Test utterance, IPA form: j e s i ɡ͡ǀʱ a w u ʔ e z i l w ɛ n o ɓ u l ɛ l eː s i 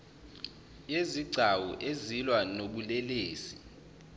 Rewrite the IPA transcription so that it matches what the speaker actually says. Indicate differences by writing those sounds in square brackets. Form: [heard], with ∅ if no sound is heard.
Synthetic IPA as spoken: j e [z] i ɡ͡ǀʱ a w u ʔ e z i l w [a] n o ɓ u l ɛ l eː s i